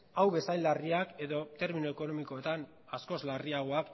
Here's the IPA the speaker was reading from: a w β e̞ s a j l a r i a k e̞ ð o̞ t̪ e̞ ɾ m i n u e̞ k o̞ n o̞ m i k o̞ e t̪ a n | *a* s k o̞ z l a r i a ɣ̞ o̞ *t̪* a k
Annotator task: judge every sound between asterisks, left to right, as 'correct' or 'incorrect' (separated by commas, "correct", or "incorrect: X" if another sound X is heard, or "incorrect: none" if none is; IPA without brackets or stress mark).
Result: correct, incorrect: none